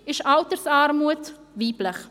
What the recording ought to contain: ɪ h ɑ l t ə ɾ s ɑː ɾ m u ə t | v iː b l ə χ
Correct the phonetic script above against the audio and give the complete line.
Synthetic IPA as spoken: ɪ ʃ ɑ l t ə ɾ s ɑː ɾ m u ə t | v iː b l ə χ